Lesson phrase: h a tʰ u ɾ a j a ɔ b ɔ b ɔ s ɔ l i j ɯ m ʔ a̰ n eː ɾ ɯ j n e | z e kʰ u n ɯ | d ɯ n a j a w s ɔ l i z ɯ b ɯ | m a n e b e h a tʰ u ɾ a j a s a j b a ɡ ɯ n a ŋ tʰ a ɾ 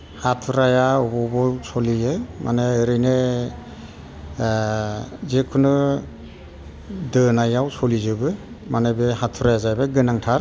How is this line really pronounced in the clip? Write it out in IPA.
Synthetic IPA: h a tʰ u ɾ a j a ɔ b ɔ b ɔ s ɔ l i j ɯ m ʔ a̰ n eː ɾ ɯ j n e | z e kʰ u n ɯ | d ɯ n a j a w s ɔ l i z ɯ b ɯ | m a n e b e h a tʰ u ɾ a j a z a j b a ɡ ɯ n a ŋ tʰ a ɾ